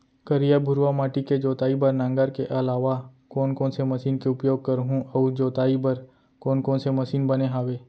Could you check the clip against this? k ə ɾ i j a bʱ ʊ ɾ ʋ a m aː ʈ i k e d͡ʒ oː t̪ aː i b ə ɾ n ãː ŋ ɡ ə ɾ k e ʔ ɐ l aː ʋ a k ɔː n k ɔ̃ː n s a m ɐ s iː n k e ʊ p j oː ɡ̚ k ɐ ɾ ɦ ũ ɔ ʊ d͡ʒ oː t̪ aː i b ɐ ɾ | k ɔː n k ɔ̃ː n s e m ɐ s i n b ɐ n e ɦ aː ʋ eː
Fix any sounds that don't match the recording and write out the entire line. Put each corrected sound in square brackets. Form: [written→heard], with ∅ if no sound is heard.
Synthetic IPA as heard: k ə ɾ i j a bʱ ʊ ɾ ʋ a m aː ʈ i k e d͡ʒ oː t̪ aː i b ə ɾ n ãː ŋ ɡ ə ɾ k e ʔ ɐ l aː ʋ a k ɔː n k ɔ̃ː n s [a→e] m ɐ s iː n k e ʊ p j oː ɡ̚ k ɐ ɾ ɦ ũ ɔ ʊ d͡ʒ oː t̪ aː i b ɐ ɾ | k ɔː n k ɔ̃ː n s e m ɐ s [i→iː] n b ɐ n e ɦ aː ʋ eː